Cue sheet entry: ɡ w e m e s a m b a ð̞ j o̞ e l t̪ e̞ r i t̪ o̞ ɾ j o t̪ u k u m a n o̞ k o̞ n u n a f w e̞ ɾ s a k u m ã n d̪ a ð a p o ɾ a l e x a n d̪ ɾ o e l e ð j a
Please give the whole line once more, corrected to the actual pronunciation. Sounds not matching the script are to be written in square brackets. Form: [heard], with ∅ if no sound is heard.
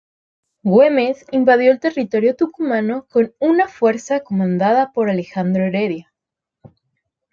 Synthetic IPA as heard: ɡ w e m e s [i] m b a ð̞ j o̞ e l t̪ e̞ r i t̪ o̞ ɾ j o t̪ u k u m a n o̞ k o̞ n u n a f w e̞ ɾ s a k [o] m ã n d̪ a ð a p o ɾ a l e x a n d̪ ɾ o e [ɾ] e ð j a